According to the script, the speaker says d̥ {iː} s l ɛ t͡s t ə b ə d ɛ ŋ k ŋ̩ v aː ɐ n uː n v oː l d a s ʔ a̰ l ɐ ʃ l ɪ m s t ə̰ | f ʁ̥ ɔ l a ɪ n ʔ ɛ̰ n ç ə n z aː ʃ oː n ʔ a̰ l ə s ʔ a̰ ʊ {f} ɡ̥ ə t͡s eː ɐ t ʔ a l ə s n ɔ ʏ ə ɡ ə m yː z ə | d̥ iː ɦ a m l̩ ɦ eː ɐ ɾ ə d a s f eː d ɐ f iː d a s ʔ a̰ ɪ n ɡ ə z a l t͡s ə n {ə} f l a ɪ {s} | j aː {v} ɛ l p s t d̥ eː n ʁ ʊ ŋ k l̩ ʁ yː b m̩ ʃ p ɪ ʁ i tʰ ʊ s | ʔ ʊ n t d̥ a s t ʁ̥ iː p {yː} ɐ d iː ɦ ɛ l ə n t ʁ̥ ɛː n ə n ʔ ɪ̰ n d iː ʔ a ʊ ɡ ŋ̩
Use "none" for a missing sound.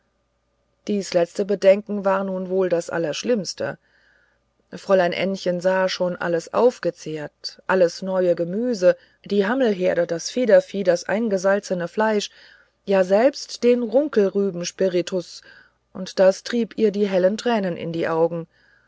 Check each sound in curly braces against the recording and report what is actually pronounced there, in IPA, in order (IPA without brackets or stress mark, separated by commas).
iː, f, ə, ʃ, z, iː